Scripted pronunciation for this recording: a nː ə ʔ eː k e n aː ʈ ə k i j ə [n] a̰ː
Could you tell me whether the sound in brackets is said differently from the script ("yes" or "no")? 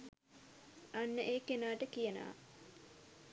no